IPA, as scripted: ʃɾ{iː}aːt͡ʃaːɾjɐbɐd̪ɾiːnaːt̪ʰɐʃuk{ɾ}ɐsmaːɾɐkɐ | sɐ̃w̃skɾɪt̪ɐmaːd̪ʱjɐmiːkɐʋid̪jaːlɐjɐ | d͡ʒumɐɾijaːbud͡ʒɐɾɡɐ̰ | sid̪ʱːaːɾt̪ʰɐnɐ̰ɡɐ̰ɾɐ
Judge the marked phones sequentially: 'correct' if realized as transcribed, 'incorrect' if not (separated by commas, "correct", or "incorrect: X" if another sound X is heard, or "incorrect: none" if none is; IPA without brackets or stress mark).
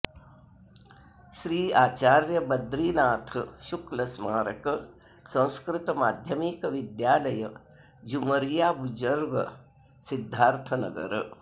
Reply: correct, incorrect: l